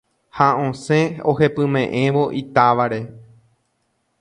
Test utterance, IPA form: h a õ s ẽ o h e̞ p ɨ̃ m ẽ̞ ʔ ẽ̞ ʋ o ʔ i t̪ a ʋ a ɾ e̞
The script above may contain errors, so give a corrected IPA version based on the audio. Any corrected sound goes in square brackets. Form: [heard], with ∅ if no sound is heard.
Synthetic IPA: h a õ s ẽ o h e̞ p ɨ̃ m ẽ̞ ʔ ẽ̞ ʋ o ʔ i t̪ a ʋ a ɾ e̞